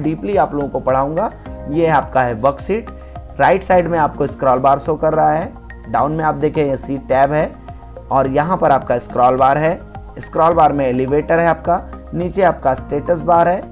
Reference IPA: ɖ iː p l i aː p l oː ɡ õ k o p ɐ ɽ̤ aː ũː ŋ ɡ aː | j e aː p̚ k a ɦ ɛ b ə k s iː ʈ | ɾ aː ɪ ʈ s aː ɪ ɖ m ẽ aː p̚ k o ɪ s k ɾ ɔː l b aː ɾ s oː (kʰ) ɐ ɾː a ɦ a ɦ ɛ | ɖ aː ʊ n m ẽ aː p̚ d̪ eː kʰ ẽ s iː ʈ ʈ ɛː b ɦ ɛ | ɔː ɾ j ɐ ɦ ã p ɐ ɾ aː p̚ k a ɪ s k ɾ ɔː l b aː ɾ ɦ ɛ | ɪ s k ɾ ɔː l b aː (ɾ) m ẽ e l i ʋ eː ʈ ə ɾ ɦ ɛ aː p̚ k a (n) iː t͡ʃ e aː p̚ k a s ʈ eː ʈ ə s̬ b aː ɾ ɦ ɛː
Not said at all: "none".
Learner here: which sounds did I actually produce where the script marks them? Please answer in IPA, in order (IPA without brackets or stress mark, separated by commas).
k, ɾ, n